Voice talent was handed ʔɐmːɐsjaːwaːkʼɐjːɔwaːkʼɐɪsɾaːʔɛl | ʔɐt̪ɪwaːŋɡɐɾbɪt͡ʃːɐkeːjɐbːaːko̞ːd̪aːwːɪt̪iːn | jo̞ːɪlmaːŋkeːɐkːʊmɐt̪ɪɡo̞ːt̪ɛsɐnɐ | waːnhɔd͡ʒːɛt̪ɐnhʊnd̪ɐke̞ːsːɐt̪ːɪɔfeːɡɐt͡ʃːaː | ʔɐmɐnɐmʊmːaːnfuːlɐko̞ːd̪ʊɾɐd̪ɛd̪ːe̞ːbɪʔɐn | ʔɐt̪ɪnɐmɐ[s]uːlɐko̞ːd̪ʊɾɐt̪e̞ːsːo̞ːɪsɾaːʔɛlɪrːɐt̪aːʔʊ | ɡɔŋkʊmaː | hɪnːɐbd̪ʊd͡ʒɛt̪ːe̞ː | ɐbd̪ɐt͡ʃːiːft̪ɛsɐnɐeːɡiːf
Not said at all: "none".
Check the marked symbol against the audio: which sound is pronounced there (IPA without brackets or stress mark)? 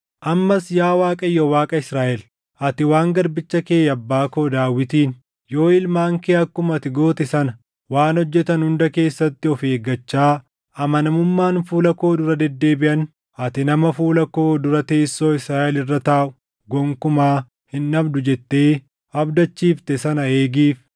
f